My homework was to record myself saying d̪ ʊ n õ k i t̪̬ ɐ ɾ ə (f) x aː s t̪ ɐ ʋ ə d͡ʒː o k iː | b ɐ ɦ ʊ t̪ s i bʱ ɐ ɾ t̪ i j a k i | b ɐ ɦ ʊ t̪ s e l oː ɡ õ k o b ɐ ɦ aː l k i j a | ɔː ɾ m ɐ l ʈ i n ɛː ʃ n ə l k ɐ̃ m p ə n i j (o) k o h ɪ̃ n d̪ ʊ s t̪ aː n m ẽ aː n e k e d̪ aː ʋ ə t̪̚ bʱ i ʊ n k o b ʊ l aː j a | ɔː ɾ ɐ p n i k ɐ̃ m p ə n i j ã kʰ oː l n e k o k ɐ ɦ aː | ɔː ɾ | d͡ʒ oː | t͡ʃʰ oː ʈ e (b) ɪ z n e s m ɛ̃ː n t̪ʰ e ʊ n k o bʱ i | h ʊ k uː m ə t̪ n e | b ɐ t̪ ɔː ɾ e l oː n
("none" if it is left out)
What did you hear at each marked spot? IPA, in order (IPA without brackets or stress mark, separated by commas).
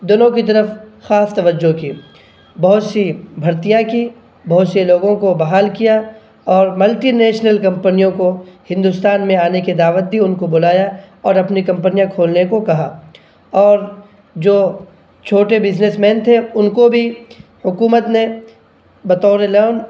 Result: f, õ, b